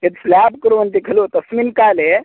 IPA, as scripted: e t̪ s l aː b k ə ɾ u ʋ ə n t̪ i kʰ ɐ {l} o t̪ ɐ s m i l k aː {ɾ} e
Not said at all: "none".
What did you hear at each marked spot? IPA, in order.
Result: l, l

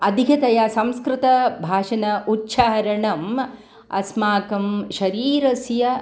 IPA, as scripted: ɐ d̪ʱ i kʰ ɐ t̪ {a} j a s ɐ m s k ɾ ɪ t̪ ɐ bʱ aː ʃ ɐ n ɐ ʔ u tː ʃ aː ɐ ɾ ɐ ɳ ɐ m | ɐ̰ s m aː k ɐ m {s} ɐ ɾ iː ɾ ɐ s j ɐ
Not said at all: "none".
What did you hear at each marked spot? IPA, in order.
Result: ɐ, ʃ

